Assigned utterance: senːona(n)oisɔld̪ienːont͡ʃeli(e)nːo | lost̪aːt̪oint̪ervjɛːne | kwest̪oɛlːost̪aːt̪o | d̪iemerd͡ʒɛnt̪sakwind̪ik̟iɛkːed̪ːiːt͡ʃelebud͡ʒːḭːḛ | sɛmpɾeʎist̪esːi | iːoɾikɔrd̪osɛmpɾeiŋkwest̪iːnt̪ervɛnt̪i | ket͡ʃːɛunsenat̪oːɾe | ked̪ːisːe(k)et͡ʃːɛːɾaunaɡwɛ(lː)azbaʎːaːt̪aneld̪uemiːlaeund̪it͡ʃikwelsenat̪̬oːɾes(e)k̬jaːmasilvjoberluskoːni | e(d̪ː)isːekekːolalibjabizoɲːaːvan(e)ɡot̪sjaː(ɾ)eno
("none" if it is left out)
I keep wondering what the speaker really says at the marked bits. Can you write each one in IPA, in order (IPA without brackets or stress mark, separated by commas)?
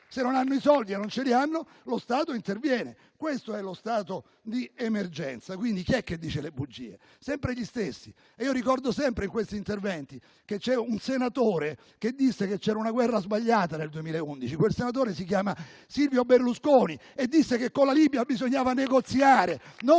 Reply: nː, a, k, rː, i, d̪ː, e, ɾ